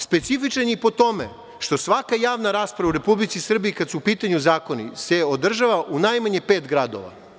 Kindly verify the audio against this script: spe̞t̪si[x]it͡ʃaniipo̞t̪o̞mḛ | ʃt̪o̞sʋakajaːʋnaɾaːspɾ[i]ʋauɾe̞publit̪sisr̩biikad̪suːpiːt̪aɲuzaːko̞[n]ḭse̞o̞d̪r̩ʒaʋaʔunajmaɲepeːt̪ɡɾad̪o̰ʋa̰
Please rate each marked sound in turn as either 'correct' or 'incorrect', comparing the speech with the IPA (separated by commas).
incorrect, incorrect, correct